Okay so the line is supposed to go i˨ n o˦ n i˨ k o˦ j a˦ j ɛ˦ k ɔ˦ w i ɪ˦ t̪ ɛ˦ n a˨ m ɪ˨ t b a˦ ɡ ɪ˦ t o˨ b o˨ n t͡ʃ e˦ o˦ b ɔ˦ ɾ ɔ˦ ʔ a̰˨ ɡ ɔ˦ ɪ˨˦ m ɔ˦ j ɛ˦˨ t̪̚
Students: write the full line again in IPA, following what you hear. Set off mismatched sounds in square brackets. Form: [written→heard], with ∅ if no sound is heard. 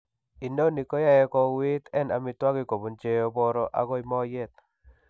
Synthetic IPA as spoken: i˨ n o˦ n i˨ k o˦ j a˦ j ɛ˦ k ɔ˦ w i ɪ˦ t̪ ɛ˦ n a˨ m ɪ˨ t [b→w] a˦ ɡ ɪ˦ [t→k] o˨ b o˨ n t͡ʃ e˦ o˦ b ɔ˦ ɾ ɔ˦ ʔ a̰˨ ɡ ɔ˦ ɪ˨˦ m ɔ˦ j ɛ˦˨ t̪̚